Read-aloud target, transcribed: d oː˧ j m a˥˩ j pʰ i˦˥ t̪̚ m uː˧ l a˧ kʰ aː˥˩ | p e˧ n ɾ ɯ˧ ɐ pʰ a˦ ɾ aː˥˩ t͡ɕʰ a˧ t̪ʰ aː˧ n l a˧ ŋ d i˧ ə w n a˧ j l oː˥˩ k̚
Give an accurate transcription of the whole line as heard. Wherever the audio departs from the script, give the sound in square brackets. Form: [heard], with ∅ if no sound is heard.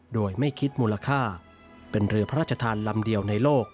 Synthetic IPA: d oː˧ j m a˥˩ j [kʰ] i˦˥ t̪̚ m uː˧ l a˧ kʰ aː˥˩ | p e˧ n ɾ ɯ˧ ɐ pʰ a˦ ɾ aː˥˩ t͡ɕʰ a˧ t̪ʰ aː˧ n l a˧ [m] d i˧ ə w n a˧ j l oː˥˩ k̚